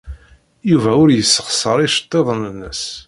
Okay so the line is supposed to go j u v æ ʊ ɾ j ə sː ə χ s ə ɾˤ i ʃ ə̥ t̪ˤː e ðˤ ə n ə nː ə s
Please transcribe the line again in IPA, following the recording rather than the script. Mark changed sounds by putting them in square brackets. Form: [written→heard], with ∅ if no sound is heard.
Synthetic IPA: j u v æ ʊ ɾ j ə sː ə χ s ə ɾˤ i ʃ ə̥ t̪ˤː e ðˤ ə n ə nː ə s